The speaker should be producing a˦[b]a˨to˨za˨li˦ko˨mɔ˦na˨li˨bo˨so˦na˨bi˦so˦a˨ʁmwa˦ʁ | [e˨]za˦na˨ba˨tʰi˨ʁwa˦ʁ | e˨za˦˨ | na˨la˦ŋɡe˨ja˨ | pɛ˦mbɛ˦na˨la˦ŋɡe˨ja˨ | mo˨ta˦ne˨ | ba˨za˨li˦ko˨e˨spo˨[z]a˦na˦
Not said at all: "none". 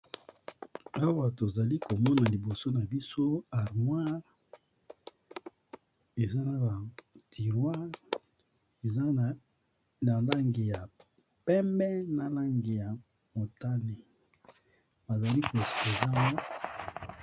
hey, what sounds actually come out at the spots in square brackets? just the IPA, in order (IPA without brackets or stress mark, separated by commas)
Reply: w, e˨, z